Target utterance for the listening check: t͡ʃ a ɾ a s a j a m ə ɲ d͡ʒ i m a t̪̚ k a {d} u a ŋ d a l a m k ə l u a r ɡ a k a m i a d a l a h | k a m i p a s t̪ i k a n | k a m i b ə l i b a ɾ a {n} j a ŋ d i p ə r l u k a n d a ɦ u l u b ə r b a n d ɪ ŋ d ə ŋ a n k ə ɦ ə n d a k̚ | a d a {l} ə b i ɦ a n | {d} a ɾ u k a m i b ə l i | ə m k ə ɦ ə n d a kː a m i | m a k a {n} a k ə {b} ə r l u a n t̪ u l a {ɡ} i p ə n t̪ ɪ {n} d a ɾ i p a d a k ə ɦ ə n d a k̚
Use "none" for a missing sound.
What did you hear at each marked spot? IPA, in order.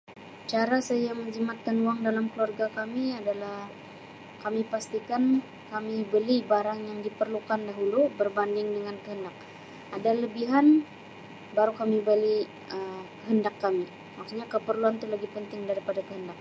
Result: n, ŋ, l, b, ɲ, p, ɡ, ŋ

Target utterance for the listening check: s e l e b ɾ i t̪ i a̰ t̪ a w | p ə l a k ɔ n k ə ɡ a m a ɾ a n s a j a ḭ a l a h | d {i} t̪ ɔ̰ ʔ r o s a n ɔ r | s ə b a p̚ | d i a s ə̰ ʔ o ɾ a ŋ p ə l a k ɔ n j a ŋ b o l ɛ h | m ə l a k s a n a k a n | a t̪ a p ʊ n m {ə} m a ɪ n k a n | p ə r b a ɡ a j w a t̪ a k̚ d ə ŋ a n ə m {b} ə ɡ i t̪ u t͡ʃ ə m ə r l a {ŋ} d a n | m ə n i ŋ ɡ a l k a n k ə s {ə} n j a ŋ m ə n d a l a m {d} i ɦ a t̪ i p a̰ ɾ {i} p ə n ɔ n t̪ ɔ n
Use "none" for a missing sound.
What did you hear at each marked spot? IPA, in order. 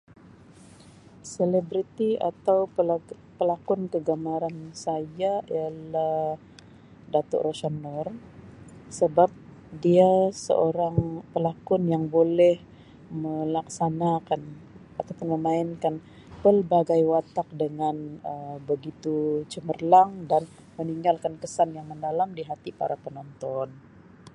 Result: a, ə, b, ŋ, a, d, a

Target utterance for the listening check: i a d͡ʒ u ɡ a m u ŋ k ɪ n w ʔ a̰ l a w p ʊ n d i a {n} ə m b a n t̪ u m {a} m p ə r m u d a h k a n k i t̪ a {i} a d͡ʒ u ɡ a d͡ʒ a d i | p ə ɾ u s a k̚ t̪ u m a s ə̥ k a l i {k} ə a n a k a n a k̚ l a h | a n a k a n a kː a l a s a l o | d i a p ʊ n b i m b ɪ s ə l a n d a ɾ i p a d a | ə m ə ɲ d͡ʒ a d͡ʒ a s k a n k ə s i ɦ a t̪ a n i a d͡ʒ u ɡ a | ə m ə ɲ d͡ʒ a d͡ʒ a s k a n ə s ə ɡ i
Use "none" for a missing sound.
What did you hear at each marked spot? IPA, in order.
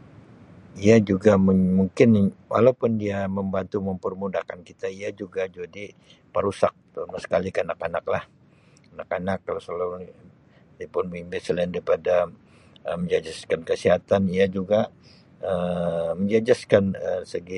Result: m, ə, i, k

